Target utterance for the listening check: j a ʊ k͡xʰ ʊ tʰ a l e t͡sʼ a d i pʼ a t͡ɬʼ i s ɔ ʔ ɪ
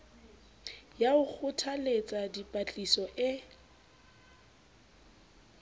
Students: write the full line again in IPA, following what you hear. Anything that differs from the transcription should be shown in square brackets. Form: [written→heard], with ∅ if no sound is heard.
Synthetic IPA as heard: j a ʊ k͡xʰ ʊ tʰ a l e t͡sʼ a d i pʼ a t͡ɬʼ i s ɔ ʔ ɪ